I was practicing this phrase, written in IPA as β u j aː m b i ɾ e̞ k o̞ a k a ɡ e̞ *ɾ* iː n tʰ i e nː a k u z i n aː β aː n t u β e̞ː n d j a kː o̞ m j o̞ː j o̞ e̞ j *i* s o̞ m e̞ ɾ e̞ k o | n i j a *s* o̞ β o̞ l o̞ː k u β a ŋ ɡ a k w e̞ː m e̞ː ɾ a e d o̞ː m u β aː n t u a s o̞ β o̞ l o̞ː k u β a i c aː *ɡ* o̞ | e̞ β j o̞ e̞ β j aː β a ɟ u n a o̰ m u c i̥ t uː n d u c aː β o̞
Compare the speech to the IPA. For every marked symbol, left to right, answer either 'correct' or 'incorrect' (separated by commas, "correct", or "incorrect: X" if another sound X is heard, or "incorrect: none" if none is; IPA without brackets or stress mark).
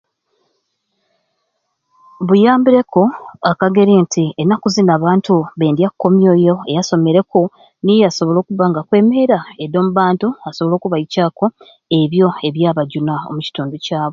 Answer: correct, incorrect: a, correct, incorrect: k